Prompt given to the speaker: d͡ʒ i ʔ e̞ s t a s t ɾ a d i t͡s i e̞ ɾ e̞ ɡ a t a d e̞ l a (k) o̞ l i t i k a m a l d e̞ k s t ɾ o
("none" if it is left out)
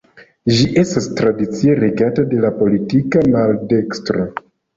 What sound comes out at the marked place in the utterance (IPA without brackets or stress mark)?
p